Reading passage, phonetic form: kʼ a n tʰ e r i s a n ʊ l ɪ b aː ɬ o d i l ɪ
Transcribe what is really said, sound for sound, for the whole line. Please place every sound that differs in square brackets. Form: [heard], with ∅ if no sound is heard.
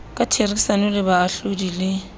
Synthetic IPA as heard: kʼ a [∅] tʰ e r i s a n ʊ l ɪ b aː ɬ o d i l ɪ